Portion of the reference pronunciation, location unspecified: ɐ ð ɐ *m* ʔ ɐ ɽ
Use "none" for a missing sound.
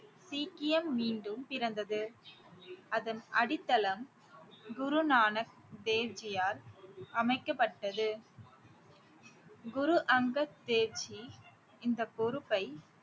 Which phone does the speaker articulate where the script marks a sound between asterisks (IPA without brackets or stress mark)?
n